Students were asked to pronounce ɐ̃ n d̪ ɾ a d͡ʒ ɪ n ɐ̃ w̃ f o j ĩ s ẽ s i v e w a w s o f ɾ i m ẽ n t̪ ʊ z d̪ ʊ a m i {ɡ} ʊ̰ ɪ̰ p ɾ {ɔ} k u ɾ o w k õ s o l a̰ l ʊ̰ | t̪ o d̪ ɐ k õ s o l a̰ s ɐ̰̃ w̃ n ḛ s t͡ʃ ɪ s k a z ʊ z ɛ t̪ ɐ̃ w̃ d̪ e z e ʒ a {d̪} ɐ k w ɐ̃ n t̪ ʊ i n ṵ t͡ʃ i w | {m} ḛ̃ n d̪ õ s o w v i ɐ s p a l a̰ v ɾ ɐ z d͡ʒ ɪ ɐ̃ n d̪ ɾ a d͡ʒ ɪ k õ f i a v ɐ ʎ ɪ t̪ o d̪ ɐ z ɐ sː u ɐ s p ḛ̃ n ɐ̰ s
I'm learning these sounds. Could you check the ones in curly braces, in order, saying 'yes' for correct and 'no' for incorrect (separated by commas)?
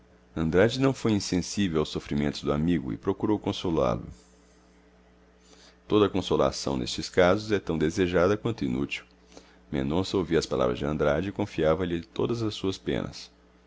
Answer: yes, no, yes, yes